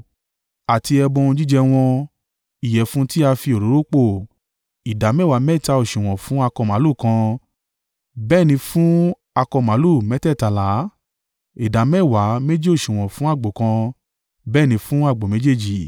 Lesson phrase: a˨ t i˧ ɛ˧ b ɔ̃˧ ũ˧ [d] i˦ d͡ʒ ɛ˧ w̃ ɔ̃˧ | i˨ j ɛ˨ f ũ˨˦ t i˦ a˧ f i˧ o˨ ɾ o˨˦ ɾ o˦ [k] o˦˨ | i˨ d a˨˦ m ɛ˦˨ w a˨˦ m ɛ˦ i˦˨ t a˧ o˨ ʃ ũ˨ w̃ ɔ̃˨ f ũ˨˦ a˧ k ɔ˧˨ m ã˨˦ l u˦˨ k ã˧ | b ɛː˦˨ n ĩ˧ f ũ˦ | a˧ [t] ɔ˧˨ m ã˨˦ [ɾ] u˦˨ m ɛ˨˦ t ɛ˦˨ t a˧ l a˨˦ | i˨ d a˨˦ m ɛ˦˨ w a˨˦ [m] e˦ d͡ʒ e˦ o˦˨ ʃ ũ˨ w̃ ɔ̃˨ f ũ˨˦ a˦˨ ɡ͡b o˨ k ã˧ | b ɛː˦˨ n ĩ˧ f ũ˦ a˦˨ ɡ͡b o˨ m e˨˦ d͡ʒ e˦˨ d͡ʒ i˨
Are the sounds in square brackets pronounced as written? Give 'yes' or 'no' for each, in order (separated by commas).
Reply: no, no, no, no, yes